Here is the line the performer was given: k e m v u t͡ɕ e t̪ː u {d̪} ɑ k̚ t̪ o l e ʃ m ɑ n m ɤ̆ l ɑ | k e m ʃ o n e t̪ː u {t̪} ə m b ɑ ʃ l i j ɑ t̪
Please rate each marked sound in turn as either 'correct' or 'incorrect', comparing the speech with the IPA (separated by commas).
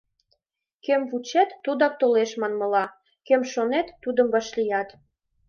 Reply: correct, incorrect